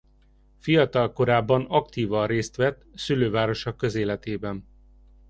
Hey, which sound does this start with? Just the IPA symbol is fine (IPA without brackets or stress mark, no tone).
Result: f